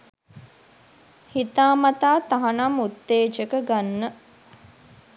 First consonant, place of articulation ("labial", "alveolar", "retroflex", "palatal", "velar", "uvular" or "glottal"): glottal